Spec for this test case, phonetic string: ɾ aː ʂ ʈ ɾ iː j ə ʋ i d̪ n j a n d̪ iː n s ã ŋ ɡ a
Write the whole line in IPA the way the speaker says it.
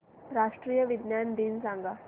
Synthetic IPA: ɾ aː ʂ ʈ ɾ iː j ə ʋ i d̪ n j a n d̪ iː n s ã ŋ ɡ a